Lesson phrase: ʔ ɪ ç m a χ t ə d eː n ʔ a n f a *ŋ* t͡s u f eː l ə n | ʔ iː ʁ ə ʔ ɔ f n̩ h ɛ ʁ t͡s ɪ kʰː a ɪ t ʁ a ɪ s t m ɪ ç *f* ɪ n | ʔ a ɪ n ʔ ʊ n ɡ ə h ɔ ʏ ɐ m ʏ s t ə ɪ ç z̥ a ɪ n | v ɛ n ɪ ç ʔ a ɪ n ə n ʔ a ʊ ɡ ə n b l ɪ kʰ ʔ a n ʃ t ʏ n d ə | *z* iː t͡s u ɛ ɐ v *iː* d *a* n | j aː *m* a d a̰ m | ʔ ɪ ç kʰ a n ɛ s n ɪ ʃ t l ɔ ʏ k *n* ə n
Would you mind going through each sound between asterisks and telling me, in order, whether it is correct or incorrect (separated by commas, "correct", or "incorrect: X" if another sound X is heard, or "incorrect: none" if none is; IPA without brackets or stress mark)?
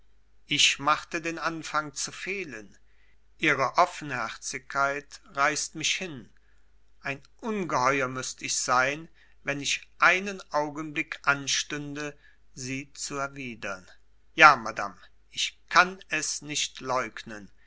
correct, incorrect: h, correct, correct, incorrect: ɐ, correct, correct